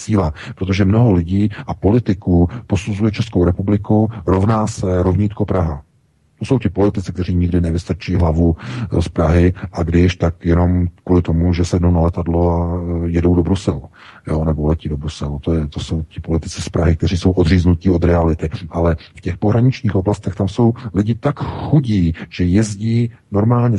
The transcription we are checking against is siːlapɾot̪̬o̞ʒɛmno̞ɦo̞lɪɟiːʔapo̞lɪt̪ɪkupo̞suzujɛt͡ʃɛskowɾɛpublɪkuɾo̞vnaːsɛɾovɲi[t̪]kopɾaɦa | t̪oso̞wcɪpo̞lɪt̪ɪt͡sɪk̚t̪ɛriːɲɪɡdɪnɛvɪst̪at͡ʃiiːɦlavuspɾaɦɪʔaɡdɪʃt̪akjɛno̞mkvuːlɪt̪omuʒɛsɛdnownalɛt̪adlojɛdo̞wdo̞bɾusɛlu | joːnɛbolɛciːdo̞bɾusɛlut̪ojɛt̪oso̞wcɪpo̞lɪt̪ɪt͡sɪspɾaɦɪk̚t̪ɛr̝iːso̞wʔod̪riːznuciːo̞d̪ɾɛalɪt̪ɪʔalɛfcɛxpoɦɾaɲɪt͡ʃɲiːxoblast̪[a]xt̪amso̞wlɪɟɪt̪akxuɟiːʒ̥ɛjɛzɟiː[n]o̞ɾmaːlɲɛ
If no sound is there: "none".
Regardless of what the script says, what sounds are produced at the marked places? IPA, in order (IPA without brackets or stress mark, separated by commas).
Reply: t̪, ɛ, n